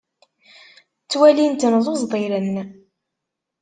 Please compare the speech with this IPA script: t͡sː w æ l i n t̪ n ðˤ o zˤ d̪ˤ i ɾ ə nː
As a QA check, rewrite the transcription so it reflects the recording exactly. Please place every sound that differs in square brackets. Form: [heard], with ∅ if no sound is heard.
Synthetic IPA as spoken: t͡sː w æ l i n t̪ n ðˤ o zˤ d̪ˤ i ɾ ə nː